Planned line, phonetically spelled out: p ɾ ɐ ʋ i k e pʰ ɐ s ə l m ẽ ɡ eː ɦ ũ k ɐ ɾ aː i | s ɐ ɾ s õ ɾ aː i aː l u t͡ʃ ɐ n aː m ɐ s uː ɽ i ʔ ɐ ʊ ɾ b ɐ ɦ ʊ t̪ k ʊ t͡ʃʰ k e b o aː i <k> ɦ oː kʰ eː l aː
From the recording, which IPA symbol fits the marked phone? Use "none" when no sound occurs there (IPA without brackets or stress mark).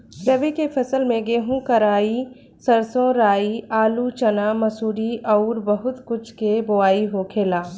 none